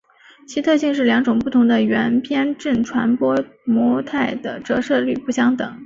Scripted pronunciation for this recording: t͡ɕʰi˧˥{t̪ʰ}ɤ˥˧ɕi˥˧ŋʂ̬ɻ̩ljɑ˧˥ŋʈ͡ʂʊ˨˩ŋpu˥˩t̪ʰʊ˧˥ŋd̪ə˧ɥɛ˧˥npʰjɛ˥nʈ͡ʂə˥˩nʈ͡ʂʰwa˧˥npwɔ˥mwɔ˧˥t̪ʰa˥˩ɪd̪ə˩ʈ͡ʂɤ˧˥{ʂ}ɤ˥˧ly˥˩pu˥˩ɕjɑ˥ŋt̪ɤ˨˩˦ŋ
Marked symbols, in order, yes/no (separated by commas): yes, yes